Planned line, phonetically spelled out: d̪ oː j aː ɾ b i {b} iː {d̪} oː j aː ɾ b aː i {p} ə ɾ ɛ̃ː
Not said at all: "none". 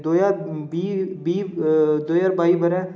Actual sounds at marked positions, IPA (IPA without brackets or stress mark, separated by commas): b, d̪, b